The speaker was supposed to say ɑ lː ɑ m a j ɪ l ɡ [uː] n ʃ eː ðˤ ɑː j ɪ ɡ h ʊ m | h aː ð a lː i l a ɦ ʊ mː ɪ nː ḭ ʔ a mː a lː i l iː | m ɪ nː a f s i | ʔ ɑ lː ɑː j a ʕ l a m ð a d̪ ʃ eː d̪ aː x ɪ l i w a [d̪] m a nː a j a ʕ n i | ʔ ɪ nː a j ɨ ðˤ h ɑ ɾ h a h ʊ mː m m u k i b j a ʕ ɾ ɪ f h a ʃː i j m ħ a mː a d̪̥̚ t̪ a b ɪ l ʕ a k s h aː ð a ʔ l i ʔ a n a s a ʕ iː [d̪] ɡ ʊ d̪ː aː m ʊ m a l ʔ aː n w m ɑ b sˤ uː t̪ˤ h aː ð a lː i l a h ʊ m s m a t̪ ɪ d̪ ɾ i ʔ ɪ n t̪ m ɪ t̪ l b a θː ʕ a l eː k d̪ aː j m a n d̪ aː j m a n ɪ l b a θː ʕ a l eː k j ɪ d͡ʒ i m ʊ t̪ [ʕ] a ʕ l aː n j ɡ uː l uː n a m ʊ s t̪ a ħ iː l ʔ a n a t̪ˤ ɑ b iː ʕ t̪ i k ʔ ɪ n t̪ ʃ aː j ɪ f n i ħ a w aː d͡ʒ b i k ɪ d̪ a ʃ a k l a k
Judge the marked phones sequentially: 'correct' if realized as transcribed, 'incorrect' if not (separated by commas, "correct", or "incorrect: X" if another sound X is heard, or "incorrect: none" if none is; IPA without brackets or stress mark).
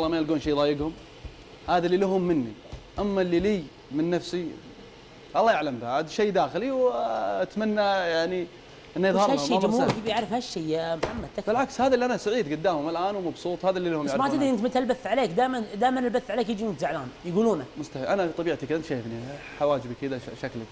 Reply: correct, incorrect: t̪, correct, incorrect: z